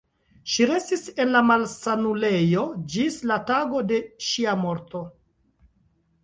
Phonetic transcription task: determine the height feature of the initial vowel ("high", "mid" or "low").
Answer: high